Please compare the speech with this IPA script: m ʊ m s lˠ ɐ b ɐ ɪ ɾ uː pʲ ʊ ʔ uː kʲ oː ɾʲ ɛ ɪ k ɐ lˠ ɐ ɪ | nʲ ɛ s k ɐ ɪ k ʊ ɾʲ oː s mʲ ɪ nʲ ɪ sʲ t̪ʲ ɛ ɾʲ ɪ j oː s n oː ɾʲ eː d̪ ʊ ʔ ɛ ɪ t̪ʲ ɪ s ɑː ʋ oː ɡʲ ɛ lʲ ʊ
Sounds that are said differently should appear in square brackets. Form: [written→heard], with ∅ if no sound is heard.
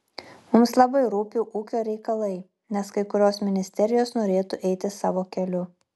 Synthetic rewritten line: m ʊ m s lˠ ɐ b ɐ ɪ ɾ uː pʲ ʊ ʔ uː kʲ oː ɾʲ ɛ ɪ k ɐ lˠ ɐ ɪ | nʲ ɛ s k ɐ ɪ k ʊ ɾʲ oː s mʲ ɪ nʲ ɪ sʲ t̪ʲ ɛ ɾʲ ɪ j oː s n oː ɾʲ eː [d̪→t̪] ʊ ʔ ɛ ɪ t̪ʲ ɪ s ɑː ʋ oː [ɡʲ→kʲ] ɛ lʲ ʊ